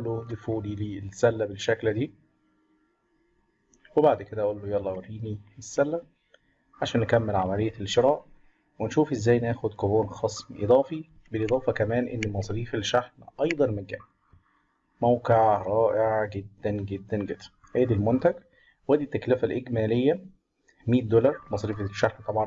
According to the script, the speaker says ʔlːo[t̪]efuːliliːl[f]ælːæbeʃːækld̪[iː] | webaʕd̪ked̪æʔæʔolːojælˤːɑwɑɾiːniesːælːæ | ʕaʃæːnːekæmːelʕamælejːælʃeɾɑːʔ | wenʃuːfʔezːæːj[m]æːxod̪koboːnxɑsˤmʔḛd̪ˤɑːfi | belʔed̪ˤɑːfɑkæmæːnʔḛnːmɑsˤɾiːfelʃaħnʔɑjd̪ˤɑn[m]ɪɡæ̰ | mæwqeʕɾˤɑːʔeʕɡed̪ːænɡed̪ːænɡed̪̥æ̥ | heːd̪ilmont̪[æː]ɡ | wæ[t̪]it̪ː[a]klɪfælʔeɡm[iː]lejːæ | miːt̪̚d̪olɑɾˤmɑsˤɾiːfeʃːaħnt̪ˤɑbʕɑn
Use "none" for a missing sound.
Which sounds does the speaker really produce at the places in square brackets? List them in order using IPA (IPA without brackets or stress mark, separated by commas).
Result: d̪, s, iː, n, m, æ, d̪, æ, æː